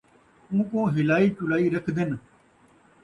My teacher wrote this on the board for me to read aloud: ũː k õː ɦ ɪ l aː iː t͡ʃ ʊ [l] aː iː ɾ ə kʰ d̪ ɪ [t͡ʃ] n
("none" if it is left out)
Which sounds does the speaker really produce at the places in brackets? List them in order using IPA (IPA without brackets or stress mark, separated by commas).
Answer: l, none